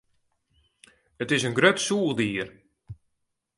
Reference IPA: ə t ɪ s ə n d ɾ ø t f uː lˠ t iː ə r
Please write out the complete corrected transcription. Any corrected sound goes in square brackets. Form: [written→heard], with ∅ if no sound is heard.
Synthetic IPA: ə t ɪ s ə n [d→ɡ] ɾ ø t [f→s] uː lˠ [t→d] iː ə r